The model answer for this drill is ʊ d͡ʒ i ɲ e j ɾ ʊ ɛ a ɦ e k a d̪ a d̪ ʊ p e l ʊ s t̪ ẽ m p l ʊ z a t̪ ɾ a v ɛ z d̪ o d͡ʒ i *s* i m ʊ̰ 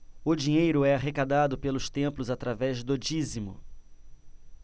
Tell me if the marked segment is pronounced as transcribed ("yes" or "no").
no